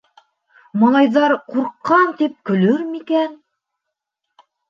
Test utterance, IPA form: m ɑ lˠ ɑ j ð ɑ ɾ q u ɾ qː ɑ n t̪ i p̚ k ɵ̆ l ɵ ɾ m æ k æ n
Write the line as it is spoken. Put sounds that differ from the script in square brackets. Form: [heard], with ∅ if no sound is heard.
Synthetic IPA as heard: m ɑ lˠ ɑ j ð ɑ ɾ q u ɾ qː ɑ n t̪ i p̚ k ɵ̆ l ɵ ɾ m [i] k æ n